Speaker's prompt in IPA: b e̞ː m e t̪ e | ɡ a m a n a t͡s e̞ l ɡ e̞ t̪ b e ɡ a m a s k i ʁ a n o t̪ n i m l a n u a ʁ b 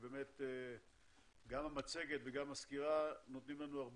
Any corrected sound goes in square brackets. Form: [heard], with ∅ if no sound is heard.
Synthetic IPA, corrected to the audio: b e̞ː m e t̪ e | ɡ a m a [m] a t͡s e̞ [∅] ɡ e̞ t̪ [v] e ɡ a m a s k i ʁ a n o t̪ n i m l a n u a ʁ b